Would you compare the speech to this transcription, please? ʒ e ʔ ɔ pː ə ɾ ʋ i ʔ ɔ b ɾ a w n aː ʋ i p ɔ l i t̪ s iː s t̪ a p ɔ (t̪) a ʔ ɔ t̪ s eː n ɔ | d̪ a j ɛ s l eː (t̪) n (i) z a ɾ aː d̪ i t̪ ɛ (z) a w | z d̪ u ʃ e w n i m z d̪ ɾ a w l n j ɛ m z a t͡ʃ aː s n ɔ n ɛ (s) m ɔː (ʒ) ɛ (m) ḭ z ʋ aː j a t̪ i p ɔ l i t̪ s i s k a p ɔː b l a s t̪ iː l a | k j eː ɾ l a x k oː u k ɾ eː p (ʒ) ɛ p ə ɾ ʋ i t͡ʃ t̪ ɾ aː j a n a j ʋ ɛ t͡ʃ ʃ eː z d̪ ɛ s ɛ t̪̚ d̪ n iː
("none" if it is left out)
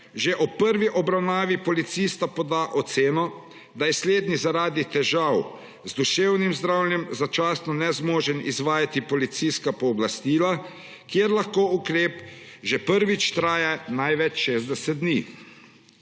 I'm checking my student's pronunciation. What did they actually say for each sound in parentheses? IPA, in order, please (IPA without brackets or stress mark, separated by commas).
d̪, d̪, i, ʒ, z, ʒ, n, ʒ